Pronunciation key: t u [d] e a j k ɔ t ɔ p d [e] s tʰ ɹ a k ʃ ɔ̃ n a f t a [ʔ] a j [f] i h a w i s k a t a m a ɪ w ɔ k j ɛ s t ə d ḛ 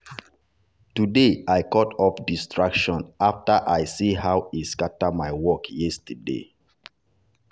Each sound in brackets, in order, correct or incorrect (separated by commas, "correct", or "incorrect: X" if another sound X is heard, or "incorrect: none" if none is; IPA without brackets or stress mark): correct, incorrect: i, correct, incorrect: s